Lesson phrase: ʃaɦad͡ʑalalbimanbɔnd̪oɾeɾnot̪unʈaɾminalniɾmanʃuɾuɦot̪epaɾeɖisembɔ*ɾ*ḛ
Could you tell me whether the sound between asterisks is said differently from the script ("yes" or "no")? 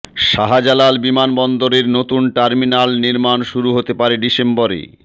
no